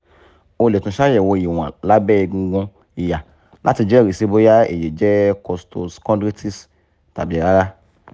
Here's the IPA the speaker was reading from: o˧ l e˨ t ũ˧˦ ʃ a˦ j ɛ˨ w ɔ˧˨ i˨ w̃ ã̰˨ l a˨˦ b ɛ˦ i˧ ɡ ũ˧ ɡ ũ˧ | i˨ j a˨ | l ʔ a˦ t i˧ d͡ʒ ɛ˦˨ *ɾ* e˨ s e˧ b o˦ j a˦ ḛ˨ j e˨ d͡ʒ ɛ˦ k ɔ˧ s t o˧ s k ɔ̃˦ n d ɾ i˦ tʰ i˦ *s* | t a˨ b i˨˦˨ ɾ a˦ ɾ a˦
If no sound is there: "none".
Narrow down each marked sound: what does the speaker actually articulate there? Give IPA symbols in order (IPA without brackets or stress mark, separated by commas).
ɾ, s